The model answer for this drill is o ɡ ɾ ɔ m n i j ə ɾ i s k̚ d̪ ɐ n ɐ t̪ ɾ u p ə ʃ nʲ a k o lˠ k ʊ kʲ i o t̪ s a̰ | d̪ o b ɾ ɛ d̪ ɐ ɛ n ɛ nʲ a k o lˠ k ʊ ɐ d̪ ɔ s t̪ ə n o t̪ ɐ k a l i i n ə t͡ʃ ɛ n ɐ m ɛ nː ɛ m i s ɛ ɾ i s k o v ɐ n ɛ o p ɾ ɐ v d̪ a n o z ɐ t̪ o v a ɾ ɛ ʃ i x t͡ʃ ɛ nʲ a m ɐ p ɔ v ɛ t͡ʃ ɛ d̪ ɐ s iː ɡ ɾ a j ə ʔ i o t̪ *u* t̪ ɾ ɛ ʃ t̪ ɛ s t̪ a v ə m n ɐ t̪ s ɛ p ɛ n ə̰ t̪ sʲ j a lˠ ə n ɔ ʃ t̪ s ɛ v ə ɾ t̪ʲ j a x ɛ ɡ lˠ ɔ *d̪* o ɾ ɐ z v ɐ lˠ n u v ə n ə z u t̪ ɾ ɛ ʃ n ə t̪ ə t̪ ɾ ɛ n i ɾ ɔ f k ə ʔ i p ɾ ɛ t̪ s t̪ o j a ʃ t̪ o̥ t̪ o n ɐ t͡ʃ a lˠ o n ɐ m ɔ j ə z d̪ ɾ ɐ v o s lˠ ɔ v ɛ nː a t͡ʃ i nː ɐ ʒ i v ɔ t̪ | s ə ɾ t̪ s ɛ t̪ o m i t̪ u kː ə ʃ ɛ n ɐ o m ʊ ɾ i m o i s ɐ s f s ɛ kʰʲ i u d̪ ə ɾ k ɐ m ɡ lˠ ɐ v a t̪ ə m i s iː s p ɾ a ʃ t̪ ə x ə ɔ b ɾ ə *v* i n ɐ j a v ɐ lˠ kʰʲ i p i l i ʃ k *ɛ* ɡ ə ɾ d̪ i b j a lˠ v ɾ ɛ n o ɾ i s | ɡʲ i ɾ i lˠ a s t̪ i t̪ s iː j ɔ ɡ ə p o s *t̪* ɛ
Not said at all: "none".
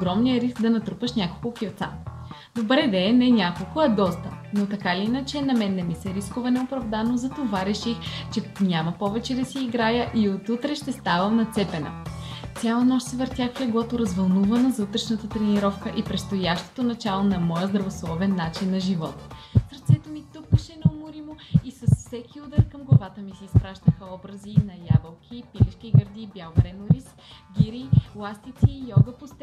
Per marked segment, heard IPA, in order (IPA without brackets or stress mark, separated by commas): u, t̪, z, i, t̪